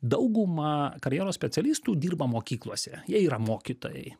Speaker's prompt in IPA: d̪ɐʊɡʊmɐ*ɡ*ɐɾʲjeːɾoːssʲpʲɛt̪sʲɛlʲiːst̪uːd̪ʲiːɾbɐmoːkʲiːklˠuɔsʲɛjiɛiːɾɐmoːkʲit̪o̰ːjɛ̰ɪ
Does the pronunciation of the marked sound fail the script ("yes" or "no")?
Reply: yes